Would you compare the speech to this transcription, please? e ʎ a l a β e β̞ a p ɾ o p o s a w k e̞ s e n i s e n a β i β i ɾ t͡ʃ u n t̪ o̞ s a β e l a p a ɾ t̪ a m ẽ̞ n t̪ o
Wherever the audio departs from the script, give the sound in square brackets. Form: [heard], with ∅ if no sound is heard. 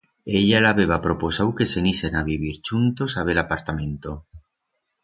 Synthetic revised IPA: e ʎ a l a β e β̞ a p ɾ o p o s a w k e̞ s e n i s e n a β i β i ɾ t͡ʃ u n t̪ o̞ s a β e l a p a ɾ t̪ a m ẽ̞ n t̪ o